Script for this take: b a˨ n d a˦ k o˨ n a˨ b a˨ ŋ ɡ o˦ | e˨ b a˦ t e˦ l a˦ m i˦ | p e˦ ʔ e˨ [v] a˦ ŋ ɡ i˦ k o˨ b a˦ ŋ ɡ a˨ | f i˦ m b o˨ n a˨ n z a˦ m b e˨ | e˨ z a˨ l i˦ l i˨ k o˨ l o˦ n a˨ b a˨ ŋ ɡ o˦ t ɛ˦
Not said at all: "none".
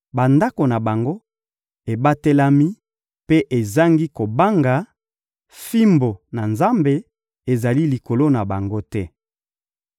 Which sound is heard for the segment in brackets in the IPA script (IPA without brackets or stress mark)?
z